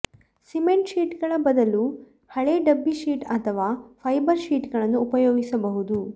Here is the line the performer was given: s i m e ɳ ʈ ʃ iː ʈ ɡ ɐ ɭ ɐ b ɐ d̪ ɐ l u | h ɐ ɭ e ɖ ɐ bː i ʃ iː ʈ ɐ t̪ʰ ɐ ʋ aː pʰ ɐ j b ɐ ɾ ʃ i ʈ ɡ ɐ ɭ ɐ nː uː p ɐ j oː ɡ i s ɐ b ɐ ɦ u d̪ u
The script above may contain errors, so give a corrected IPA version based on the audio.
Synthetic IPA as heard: s i m e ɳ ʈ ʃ iː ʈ ɡ ɐ ɭ ɐ b ɐ d̪ ɐ l u | h ɐ ɭ e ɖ ɐ bː i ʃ iː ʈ ɐ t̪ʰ ɐ ʋ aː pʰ ɐ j b ɐ ɾ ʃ iː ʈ ɡ ɐ ɭ ɐ nː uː p ɐ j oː ɡ i s ɐ b ɐ ɦ u d̪ u